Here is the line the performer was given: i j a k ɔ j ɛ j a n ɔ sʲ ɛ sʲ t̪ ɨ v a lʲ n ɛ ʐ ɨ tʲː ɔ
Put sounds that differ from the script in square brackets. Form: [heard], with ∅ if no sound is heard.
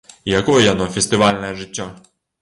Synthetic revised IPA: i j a k ɔ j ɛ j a n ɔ [fʲ] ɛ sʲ t̪ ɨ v a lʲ n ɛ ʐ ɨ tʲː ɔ

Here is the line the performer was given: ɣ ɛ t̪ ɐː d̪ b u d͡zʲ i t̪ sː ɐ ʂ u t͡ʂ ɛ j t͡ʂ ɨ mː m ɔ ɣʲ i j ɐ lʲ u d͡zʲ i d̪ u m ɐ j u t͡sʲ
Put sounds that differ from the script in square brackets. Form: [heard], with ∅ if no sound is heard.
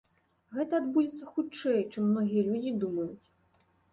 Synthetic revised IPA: ɣ ɛ t̪ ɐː d̪ b u d͡zʲ [ɛ] t̪ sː ɐ [x] u t͡ʂ ɛ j t͡ʂ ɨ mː [n] ɔ ɣʲ i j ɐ lʲ u d͡zʲ i d̪ u m ɐ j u t͡sʲ

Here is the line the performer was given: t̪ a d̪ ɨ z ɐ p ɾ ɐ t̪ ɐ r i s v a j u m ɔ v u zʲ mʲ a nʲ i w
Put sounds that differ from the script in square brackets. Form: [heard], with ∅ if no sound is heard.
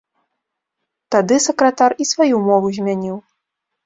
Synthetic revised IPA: t̪ a d̪ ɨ [s] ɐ [k] ɾ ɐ t̪ [a] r i s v a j u m ɔ v u zʲ mʲ a nʲ i w

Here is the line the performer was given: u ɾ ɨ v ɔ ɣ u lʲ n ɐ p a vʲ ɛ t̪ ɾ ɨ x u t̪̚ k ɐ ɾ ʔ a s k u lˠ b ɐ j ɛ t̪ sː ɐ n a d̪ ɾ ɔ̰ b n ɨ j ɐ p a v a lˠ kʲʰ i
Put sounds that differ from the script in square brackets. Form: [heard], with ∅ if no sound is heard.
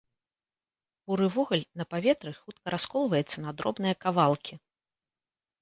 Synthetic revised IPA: u ɾ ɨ v ɔ ɣ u lʲ n ɐ p a vʲ ɛ t̪ ɾ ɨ x u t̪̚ k ɐ ɾ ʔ a s k [ɔ] lˠ [v] ɐ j ɛ t̪ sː ɐ n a d̪ ɾ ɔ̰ b n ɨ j ɐ [k] a v a lˠ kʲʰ i

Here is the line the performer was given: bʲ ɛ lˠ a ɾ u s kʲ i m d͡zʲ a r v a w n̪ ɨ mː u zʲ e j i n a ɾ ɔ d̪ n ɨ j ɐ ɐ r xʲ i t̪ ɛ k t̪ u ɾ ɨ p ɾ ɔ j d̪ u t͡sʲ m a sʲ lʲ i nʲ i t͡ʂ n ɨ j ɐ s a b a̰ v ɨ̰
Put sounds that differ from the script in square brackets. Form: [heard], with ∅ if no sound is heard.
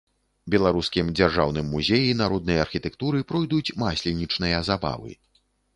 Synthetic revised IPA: bʲ ɛ lˠ a ɾ u s kʲ i m d͡zʲ a r [ʐ] a w n̪ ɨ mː u zʲ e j i n a ɾ ɔ d̪ n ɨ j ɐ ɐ r xʲ i t̪ ɛ k t̪ u ɾ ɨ p ɾ ɔ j d̪ u t͡sʲ m a sʲ lʲ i nʲ i t͡ʂ n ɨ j ɐ [z] a b a̰ v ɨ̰

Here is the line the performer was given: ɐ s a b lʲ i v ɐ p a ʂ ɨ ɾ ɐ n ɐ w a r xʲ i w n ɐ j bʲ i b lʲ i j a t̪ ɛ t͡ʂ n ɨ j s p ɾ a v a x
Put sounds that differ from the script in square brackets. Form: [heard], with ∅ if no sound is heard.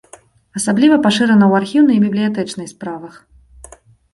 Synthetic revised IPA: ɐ s a b lʲ i v ɐ p a ʂ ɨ ɾ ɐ n ɐ w a r xʲ i w n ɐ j bʲ i b lʲ i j a t̪ ɛ t͡ʂ n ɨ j s p ɾ a v [ɐ] x

